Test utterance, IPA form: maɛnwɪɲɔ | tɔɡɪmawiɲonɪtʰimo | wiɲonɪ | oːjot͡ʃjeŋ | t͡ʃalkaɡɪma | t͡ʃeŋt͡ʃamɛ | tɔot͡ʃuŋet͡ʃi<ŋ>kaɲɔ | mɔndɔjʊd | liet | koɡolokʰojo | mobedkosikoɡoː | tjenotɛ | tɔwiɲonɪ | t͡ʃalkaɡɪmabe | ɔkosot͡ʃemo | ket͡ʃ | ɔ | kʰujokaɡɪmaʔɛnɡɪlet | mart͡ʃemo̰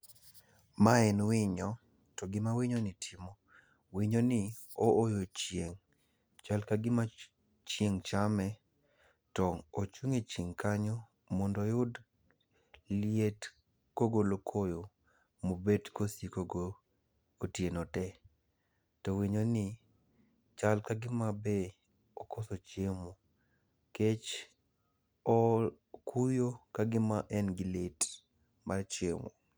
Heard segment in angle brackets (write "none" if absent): ŋ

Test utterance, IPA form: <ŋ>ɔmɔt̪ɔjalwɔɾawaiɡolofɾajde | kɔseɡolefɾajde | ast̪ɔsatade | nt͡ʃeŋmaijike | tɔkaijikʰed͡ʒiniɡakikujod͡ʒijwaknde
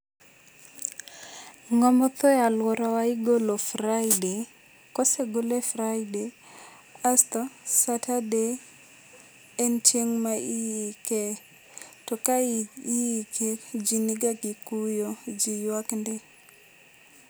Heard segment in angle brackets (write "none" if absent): ŋ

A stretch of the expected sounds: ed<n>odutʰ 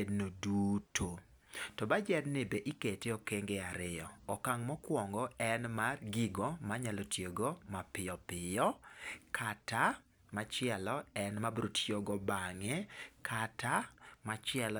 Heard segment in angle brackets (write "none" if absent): n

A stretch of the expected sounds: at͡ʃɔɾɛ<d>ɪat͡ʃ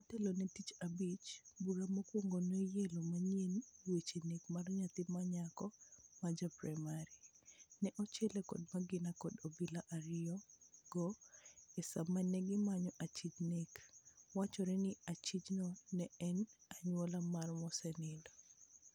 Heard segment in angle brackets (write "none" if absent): n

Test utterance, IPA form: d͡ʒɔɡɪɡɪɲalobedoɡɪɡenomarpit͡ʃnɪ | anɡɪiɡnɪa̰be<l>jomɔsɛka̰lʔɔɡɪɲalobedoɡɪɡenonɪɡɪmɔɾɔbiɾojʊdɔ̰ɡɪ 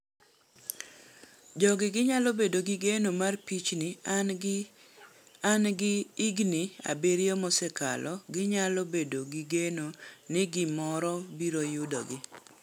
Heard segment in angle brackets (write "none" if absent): ɾ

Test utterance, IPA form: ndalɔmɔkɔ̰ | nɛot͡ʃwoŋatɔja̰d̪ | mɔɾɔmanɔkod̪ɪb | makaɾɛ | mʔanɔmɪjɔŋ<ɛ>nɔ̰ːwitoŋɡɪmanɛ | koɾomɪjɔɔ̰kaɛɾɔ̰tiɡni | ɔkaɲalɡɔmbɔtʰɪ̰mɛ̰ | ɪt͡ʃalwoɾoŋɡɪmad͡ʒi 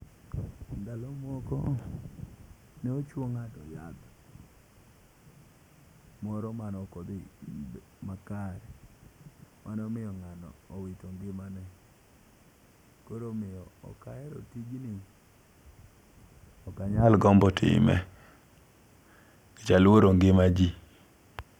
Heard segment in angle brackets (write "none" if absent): a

